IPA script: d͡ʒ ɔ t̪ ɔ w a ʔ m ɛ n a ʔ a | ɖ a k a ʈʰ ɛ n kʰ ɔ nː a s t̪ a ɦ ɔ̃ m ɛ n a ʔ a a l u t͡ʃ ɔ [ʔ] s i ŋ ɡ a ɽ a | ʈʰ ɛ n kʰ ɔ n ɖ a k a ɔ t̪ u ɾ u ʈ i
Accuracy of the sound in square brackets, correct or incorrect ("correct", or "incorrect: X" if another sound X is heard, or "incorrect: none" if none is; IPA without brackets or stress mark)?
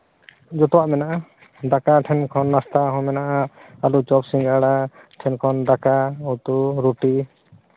incorrect: p